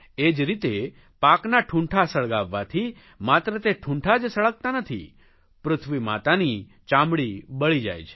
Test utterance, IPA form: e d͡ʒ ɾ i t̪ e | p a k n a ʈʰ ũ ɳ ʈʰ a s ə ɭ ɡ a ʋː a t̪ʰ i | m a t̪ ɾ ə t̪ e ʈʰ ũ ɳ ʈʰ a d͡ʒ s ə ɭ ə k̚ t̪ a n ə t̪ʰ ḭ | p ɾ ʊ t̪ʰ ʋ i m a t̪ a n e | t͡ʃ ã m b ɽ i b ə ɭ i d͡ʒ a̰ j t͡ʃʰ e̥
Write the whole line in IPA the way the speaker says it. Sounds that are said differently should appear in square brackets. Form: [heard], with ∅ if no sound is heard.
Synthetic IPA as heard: e d͡ʒ ɾ i t̪ e | p a k n a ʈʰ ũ ɳ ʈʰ a s ə ɭ ɡ a ʋː a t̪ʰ i | m a t̪ ɾ ə t̪ e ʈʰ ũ ɳ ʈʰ a d͡ʒ s ə ɭ ə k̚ t̪ a n ə t̪ʰ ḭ | p ɾ ʊ t̪ʰ ʋ i m a t̪ a n [i] | t͡ʃ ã m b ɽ i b ə ɭ i d͡ʒ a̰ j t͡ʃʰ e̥